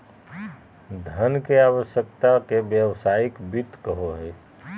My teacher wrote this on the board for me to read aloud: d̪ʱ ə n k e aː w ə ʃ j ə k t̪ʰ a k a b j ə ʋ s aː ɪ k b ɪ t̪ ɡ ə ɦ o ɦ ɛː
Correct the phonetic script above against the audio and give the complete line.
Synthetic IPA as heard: d̪ʱ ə n k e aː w ə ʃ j ə k t̪ a k e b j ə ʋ s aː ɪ k b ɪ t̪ k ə ɦ o ɦ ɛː